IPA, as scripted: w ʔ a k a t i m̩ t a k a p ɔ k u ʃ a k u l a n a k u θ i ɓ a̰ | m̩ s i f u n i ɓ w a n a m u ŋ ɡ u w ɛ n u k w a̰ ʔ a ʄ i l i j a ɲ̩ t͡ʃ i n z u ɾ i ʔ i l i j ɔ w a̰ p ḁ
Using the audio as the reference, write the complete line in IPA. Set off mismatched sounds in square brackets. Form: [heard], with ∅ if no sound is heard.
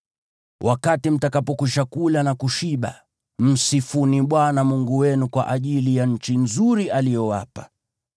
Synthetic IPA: w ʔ a k a t i m̩ t a k a p ɔ k u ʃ a k u l a n a k u [ʃ] i ɓ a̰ | m̩ s i f u n i ɓ w a n a m u ŋ ɡ u w ɛ n u k w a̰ ʔ a ʄ i l i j a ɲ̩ t͡ʃ i n z u ɾ i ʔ [a] l i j ɔ w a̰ p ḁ